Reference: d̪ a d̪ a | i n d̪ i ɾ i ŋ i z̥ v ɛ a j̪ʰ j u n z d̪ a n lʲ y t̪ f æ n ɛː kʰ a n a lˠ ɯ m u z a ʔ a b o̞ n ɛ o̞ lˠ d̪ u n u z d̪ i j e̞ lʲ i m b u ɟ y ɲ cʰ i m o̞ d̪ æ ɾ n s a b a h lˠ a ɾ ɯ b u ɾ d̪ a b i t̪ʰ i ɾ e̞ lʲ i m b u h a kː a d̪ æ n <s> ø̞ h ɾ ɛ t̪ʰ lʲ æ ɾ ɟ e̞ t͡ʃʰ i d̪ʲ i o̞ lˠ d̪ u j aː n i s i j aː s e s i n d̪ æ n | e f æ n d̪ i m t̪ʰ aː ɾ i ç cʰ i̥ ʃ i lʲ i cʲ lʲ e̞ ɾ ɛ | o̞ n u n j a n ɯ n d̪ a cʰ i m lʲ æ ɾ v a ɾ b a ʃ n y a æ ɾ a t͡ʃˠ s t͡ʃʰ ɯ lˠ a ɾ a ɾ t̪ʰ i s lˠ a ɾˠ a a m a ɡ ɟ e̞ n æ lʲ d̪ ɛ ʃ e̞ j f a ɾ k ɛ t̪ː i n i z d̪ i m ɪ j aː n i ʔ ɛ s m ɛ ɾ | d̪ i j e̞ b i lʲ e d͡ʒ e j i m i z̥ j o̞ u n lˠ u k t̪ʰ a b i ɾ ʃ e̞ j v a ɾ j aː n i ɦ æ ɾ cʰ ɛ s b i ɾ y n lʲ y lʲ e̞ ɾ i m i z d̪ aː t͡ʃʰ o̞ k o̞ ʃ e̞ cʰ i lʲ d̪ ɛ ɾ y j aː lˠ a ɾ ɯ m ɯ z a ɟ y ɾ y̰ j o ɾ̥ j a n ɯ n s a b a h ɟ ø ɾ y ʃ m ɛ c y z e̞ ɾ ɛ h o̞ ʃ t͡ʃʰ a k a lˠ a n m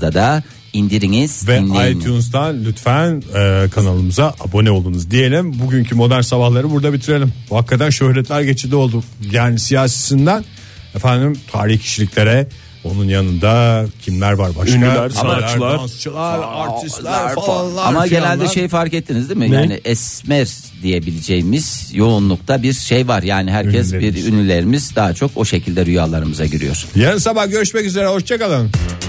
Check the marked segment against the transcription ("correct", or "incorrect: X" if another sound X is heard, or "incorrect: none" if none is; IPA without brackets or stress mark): incorrect: ʃ